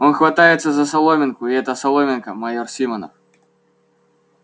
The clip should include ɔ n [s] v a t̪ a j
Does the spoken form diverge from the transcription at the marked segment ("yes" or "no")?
yes